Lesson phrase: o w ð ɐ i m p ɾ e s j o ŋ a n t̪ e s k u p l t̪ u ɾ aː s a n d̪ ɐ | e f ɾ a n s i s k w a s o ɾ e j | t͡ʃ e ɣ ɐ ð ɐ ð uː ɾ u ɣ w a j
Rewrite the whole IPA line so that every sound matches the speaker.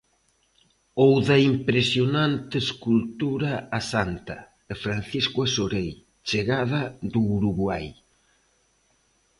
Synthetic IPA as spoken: o w ð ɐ i m p ɾ e s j o n a n t̪ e s k u l t̪ u ɾ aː s a n t̪ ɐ | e f ɾ a n θ i s k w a s o ɾ e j | t͡ʃ e ɣ a ð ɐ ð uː ɾ u ɣ w a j

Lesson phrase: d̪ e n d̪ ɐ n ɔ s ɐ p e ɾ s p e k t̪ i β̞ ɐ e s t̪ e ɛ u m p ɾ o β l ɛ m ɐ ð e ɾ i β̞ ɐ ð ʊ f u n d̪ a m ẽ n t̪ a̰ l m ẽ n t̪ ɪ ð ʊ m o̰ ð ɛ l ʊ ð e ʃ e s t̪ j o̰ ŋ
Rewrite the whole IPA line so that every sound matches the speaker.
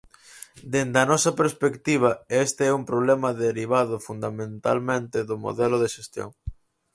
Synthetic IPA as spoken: d̪ e n d̪ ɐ n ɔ s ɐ p e ɾ s p e k t̪ i β̞ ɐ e s t̪ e ɛ u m p ɾ o β l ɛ m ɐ ð e ɾ i β̞ a ð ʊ f u n d̪ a m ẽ n t̪ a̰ l m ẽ n t̪ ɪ ð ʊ m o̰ ð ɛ l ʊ ð e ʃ e s t̪ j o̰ ŋ

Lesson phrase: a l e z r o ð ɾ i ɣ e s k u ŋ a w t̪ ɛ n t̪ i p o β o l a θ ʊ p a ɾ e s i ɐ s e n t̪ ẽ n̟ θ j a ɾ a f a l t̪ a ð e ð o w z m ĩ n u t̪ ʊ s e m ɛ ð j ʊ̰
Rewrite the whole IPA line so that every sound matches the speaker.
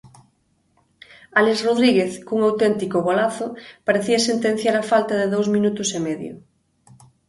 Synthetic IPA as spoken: a l e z r o ð ɾ i ɣ e θ k u ŋ a w t̪ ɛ n t̪ i k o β o l a θ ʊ p a ɾ e θ i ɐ s e n t̪ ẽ n̟ θ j a ɾ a f a l t̪ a ð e ð o w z m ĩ n u t̪ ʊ s e m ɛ ð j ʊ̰

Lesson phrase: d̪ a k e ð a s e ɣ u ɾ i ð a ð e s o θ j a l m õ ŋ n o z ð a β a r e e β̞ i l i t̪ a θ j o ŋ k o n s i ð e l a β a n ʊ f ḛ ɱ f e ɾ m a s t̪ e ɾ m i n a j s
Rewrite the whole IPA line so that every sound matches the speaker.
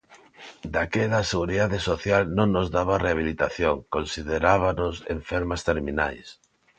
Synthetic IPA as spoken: d̪ a k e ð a s e ɣ u ɾ i ð a ð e s o θ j a l n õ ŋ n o z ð a β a r e a β̞ i l i t̪ a θ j o ŋ k o n s i ð e ɾ a β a n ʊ s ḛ ɱ f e ɾ m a s t̪ e ɾ m i n a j s

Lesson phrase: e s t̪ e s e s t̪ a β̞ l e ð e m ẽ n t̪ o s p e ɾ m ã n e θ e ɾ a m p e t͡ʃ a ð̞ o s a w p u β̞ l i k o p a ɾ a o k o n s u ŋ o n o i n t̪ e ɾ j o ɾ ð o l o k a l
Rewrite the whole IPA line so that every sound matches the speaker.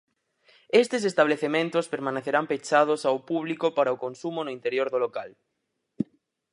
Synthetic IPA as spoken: e s t̪ e s e s t̪ a β̞ l e θ e m ẽ n t̪ o s p e ɾ m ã n e θ e ɾ a m p e t͡ʃ a ð̞ o s a w p u β̞ l i k o p a ɾ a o k o n s u m o n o i n t̪ e ɾ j o ɾ ð o l o k a l

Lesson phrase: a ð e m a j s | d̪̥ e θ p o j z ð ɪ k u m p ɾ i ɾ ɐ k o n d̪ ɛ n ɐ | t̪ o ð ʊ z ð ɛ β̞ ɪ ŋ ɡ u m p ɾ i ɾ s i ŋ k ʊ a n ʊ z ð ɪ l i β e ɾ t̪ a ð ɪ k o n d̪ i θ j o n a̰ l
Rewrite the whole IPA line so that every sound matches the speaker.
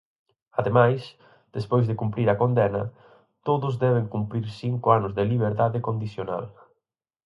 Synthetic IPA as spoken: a ð e m a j s | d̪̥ e s p o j z ð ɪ k u m p ɾ i ɾ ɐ k o n d̪ ɛ n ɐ | t̪ o ð ʊ z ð ɛ β̞ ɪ ŋ k u m p ɾ i ɾ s i ŋ k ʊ a n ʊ z ð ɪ l i β e ɾ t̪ a ð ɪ k o n d̪ i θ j o n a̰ l

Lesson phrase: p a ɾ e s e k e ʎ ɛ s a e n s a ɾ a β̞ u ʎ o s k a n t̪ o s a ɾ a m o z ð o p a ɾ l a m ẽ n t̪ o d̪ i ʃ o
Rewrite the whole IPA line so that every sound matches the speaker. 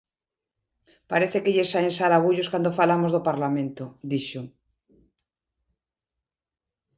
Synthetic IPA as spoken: p a ɾ e θ e k e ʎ e s a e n s a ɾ a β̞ u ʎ o s k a n d̪ o f a l a m o z ð o p a ɾ l a m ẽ n t̪ o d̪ i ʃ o

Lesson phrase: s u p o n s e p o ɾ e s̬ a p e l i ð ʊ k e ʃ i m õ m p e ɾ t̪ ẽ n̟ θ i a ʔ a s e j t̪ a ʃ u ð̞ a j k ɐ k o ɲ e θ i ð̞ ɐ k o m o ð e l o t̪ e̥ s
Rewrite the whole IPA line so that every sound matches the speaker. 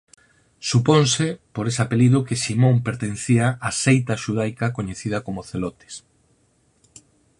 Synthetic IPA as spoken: s u p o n s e p o ɾ e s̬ a p e l i ð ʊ k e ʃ i m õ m p e ɾ t̪ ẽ n̟ θ i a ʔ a s e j t̪ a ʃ u ð̞ a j k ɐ k o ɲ e θ i ð̞ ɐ k o m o θ e l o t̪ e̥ s

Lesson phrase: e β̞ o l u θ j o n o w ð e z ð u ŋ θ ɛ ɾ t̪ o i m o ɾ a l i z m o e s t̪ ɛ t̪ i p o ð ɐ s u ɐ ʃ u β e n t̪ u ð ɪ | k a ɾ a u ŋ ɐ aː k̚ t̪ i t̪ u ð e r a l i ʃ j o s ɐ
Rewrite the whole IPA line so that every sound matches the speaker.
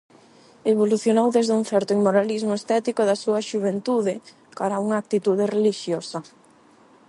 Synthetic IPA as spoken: e β̞ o l u θ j o n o w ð e z ð u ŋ θ ɛ ɾ t̪ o i m o ɾ a l i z m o e s t̪ ɛ t̪ i k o ð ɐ s u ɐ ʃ u β e n t̪ u ð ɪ | k a ɾ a u ŋ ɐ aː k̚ t̪ i t̪ u ð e r e l i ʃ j o s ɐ

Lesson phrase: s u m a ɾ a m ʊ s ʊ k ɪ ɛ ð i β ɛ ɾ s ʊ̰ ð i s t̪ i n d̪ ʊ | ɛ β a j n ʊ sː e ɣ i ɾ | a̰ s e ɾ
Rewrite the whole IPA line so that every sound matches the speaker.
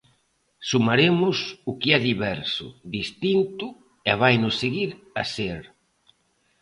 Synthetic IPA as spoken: s u m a ɾ e m ʊ s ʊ k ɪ ɛ ð i β ɛ ɾ s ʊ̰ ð i s t̪ i n t̪ ʊ | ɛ β a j n ʊ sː e ɣ i ɾ | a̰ s e ɾ

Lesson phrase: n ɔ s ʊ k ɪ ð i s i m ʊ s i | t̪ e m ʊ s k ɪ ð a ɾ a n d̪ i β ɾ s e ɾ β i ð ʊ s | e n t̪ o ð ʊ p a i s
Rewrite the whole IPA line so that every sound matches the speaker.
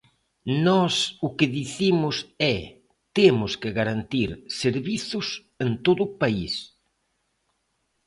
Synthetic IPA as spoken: n ɔ s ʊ k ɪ ð i θ i m ʊ s ɛ | t̪ e m ʊ s k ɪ ɣ a ɾ a n t̪ i ɾ s e ɾ β i θ ʊ s | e n t̪ o ð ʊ p a i s

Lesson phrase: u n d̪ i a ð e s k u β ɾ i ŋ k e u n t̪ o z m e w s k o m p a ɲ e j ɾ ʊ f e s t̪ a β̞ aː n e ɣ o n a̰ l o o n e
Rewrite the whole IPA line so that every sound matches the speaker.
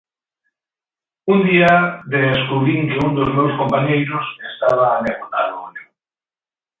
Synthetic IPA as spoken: u n d̪ i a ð e s k u β ɾ i ŋ k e u n d̪ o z m e w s k o m p a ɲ e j ɾ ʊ s e s t̪ a β̞ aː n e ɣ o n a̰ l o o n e

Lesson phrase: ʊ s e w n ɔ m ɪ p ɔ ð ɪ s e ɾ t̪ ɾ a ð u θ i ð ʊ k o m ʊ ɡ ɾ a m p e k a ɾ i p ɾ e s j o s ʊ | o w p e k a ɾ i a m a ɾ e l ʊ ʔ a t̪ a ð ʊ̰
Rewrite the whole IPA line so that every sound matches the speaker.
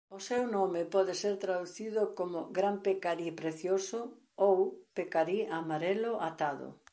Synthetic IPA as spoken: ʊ s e w n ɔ m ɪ p ɔ ð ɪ s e ɾ t̪ ɾ a ð u θ i ð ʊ k o m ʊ ɡ ɾ a m p e k a ɾ i p ɾ e θ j o s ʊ | o w p e k a ɾ i a m a ɾ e l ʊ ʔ a t̪ a ð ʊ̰

